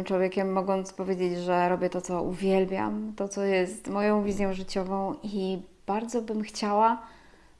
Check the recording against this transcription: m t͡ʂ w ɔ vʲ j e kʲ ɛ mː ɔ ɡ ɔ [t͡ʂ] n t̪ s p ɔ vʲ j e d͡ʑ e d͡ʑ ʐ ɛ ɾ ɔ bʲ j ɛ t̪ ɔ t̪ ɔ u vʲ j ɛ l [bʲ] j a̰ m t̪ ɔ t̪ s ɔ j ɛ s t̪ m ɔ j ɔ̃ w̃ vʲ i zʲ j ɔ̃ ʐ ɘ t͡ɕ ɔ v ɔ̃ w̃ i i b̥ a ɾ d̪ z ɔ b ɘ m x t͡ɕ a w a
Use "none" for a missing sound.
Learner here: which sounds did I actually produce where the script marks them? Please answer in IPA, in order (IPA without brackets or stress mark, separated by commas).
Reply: none, bʲ